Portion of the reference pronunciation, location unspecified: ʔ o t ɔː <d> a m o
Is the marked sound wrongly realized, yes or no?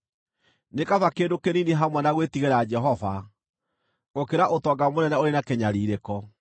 yes